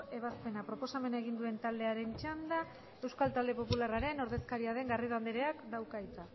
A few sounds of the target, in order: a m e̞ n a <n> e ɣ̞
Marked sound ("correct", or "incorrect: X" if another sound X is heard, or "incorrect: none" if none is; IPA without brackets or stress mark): incorrect: none